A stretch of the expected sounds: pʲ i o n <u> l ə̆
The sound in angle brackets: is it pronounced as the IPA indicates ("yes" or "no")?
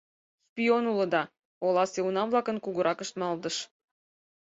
yes